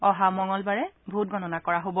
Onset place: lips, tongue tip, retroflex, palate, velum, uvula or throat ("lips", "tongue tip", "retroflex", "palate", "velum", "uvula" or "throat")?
throat